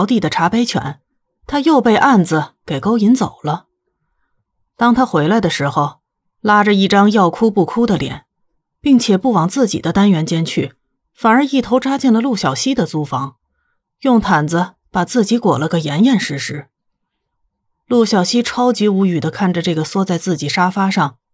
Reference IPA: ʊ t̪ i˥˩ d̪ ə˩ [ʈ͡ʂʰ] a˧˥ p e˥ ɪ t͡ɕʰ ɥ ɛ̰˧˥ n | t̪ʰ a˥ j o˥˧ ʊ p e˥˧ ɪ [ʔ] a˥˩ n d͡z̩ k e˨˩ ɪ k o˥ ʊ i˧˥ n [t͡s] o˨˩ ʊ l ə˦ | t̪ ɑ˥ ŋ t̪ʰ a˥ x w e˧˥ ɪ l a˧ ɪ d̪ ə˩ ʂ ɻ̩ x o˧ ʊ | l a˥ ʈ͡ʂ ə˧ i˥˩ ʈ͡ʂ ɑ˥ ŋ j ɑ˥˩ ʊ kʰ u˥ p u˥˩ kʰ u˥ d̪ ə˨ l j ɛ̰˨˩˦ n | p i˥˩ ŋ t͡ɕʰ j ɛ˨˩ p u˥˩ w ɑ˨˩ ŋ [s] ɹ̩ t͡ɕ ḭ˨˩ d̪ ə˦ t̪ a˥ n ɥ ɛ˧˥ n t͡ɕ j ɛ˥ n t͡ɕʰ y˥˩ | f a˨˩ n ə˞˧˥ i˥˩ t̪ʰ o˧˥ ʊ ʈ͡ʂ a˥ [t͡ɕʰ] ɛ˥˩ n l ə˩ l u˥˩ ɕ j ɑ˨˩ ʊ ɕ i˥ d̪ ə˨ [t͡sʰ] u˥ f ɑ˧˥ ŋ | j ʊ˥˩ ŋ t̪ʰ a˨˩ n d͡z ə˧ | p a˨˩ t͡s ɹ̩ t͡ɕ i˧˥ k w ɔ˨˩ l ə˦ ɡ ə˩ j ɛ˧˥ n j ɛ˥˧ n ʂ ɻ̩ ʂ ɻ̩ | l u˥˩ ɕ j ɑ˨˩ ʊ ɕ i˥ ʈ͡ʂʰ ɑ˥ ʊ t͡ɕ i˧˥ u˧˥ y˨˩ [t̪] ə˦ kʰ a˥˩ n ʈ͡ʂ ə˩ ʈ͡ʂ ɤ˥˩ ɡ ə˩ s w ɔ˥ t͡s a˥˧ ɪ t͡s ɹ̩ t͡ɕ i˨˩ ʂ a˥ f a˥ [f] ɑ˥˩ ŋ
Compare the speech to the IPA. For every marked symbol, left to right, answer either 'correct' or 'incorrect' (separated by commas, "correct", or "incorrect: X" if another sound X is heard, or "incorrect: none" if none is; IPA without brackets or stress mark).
correct, correct, correct, incorrect: t͡s, incorrect: t͡ɕ, incorrect: t͡s, incorrect: d̪, incorrect: ʂ